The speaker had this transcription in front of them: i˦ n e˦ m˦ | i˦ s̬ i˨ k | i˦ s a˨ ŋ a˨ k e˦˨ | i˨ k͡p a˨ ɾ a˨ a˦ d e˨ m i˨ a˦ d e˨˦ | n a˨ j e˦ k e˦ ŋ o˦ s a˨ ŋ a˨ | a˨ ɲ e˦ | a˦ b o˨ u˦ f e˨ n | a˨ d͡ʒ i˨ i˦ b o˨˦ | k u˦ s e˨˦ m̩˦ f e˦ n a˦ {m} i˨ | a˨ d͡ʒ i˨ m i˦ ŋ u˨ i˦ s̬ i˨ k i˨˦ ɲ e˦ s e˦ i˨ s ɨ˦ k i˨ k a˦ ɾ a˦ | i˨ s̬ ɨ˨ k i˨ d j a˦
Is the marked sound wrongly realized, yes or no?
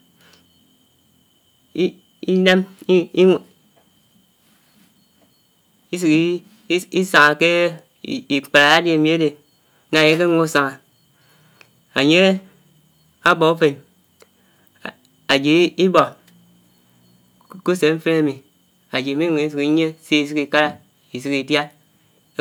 no